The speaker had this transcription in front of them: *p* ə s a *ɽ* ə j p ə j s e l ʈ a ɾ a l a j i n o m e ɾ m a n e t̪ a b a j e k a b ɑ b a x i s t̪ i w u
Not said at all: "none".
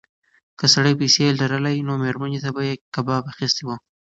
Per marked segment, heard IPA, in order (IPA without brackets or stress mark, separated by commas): k, ɽ